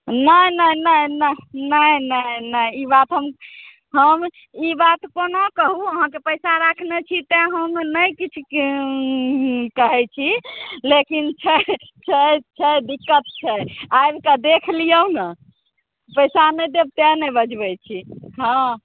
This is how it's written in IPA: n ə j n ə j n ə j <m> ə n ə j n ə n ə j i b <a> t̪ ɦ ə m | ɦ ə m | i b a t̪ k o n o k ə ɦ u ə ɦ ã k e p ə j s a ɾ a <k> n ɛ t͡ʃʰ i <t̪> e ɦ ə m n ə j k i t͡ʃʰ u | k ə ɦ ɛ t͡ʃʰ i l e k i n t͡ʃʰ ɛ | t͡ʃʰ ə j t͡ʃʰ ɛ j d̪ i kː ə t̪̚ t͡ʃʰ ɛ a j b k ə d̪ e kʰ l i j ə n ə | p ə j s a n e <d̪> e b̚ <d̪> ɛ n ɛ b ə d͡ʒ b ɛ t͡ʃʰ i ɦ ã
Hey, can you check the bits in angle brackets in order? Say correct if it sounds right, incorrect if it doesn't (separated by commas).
incorrect, correct, incorrect, correct, correct, incorrect